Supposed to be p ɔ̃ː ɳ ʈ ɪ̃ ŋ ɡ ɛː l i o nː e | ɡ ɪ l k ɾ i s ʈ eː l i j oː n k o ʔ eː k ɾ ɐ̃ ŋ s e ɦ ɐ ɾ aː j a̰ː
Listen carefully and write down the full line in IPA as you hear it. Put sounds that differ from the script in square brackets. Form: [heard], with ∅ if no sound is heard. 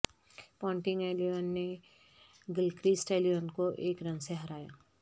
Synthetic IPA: p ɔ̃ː ɳ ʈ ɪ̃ ŋ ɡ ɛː l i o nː e | ɡ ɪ l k ɾ i s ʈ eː l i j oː n k o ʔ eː k ɾ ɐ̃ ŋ s e ɦ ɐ ɾ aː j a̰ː

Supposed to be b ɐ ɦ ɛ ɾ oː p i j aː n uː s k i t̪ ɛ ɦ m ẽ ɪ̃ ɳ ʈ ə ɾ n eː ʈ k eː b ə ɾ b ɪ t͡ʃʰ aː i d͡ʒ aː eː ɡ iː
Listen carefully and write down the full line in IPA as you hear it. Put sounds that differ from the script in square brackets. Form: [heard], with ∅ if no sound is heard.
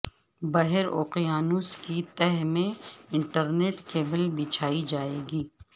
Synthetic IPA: b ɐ ɦ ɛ ɾ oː [q] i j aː n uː s k i t̪ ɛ ɦ m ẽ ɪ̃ ɳ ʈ ə ɾ n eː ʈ k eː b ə [l] b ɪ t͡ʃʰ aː i d͡ʒ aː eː ɡ iː

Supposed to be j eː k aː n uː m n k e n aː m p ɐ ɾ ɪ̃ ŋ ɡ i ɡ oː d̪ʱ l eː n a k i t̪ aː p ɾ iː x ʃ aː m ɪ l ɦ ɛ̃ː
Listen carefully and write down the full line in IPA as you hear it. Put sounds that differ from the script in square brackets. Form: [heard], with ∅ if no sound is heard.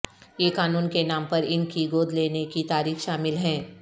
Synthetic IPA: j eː k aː n uː [∅] n k e n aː m p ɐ ɾ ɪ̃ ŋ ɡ i ɡ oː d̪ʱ l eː n [e] k i t̪ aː [∅] ɾ iː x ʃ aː m ɪ l ɦ ɛ̃ː

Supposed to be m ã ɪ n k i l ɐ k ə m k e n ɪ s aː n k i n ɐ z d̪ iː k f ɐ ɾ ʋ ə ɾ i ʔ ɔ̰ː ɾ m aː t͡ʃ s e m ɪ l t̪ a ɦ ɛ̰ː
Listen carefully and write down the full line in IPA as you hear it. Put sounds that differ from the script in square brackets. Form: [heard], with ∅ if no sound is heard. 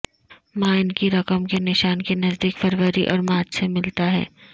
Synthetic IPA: m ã ɪ n k i [ɾ] ɐ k ə m k e n ɪ [ʃ] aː n k [e] n ɐ z d̪ iː k f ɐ ɾ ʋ ə ɾ i ʔ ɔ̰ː ɾ m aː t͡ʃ s e m ɪ l t̪ a ɦ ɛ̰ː

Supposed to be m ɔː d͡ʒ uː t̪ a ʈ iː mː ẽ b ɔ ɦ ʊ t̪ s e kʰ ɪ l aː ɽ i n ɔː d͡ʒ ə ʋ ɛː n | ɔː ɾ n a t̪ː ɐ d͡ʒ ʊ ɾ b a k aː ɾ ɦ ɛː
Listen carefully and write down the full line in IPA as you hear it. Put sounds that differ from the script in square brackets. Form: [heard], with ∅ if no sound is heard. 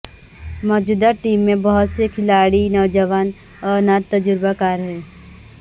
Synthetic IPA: m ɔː d͡ʒ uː [d̪] a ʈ iː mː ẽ b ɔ ɦ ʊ t̪ s e kʰ ɪ l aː ɽ i n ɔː d͡ʒ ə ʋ [aː] n | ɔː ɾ n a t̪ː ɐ d͡ʒ ʊ ɾ b a k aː ɾ ɦ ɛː

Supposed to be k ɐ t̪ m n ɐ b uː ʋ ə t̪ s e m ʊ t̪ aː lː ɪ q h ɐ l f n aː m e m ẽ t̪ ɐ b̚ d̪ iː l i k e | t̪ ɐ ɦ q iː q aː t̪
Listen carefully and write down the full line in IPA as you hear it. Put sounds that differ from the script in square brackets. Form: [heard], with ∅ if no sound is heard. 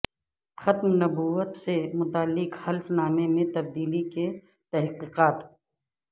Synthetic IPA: [x] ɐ t̪ m n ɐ b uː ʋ ə t̪ s e m ʊ t̪ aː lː ɪ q h ɐ l f n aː m e m ẽ t̪ ɐ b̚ d̪ iː l i k e | t̪ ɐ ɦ q iː q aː t̪

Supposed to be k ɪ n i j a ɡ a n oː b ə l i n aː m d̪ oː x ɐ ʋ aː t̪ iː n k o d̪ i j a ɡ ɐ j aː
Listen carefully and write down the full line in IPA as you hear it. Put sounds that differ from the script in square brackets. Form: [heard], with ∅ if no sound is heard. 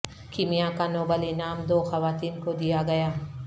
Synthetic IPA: k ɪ [m] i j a [k] a n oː b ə l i n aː m d̪ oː x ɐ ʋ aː t̪ iː n k o d̪ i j a ɡ ɐ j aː

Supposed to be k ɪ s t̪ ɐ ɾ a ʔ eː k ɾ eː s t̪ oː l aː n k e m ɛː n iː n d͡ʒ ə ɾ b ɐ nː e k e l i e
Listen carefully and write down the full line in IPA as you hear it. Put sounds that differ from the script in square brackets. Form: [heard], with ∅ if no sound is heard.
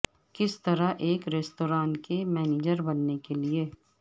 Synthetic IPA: k ɪ s t̪ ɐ ɾ a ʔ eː k ɾ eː s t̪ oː [ɾ] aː n k e m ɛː n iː [∅] d͡ʒ ə ɾ b ɐ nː e k e l i e

